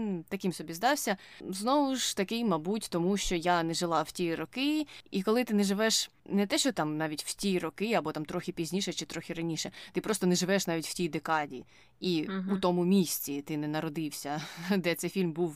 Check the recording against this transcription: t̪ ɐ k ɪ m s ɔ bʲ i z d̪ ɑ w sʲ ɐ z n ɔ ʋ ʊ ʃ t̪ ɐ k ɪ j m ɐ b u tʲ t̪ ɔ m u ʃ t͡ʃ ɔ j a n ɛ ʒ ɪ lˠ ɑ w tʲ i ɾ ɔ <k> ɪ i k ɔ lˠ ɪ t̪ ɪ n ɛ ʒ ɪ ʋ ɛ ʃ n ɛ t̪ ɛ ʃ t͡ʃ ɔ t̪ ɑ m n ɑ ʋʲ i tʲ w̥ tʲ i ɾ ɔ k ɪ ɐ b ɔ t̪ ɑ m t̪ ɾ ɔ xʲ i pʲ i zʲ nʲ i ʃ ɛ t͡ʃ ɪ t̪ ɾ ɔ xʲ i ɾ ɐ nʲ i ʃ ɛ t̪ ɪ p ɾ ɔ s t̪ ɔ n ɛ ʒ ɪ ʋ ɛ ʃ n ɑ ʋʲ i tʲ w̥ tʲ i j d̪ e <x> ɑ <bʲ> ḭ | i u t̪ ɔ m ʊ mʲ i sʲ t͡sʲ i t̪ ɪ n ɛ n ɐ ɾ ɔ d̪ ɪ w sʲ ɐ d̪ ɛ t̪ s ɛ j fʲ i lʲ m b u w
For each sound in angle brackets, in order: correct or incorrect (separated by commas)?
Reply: correct, incorrect, incorrect